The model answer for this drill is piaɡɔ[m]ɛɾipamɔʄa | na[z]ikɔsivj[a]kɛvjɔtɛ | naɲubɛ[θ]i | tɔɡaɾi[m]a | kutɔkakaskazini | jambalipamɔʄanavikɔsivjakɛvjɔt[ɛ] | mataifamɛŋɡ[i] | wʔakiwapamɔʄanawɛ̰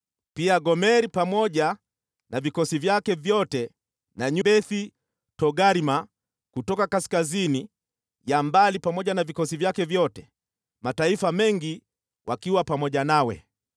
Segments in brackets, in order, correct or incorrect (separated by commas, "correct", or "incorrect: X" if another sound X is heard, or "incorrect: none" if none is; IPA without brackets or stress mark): correct, incorrect: v, correct, correct, correct, correct, correct